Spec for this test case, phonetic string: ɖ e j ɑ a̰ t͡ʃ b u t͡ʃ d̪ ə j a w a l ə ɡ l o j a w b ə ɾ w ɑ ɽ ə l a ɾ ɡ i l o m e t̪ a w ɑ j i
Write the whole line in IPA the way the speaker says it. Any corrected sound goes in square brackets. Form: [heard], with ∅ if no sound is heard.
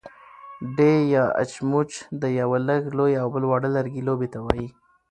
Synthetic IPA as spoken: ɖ e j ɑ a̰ t͡ʃ [m] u t͡ʃ d̪ ə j a w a l ə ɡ l o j a w b ə [l] w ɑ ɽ ə l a ɾ ɡ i l o [b] e t̪ a w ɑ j i

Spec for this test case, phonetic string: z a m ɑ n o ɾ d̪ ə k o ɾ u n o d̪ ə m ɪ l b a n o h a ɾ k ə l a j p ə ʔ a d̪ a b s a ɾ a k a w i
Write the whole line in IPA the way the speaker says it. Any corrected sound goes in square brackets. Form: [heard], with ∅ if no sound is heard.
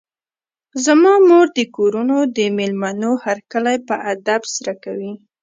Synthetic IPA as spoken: z a m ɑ [m] o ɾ d̪ ə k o ɾ u n o d̪ ə m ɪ l [m] a n o h a ɾ k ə l a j p ə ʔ a d̪ a b s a ɾ a k a w i

